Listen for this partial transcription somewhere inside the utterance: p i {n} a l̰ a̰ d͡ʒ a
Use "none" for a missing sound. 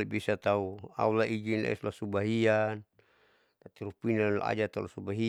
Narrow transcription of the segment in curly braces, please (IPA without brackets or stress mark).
n